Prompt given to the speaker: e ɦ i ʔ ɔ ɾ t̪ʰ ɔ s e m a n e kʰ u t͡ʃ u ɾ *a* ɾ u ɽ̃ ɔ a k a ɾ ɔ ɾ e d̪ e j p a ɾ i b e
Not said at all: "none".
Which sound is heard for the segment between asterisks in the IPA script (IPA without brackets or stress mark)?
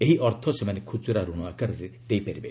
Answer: a